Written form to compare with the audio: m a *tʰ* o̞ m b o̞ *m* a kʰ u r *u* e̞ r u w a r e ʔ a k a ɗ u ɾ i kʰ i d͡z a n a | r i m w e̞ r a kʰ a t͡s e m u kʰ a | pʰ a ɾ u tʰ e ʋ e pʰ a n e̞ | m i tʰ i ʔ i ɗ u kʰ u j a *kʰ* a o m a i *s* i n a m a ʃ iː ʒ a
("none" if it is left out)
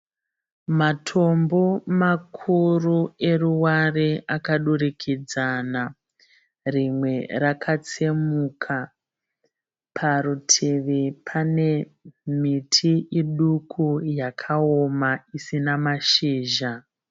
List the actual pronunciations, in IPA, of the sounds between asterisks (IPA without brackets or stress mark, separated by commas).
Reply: tʰ, m, u, kʰ, s